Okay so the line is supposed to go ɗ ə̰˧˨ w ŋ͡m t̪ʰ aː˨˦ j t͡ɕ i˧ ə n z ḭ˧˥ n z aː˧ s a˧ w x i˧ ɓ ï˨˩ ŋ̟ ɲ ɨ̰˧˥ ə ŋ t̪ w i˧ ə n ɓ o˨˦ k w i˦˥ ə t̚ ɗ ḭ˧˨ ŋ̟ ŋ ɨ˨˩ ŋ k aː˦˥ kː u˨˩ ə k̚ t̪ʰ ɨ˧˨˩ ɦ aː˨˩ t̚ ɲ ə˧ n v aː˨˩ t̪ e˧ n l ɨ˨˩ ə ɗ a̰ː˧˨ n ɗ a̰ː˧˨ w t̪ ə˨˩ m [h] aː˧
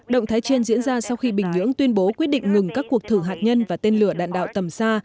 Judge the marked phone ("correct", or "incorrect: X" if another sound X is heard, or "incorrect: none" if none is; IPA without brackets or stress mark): incorrect: s